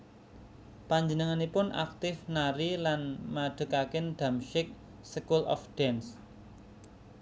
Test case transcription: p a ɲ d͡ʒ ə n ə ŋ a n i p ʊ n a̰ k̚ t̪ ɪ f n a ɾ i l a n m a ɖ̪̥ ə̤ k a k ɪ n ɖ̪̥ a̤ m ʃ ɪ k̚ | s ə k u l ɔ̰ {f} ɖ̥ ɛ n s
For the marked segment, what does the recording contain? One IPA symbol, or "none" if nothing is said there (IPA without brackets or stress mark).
f